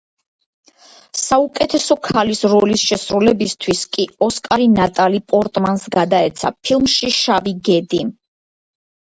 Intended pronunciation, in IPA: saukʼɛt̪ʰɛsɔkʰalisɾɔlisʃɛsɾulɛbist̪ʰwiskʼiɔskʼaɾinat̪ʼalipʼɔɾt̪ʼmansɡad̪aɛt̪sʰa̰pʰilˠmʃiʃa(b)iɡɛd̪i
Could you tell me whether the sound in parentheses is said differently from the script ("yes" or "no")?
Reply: yes